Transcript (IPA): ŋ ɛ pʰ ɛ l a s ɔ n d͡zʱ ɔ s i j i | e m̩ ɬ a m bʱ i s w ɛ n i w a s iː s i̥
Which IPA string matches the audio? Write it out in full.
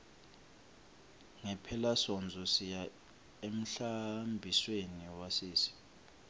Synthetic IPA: ŋ ɛ pʰ ɛ l a s ɔ n d͡zʱ ɔ s i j a | e m̩ ɬ a m bʱ i s w e n i w a s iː s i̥